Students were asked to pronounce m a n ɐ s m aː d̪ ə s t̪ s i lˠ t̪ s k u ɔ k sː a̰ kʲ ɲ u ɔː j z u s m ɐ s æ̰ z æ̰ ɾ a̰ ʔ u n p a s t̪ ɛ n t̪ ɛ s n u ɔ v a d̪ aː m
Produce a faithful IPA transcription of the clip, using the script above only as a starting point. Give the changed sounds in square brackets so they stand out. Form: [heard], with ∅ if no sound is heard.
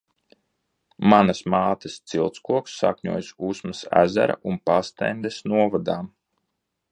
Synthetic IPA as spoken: m a n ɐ s m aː [t̪] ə s t̪ s i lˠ t̪ s k u ɔ k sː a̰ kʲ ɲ u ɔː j [s] u s m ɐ s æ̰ z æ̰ ɾ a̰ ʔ u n p a s t̪ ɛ n [d̪] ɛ s n u ɔ v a d̪ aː m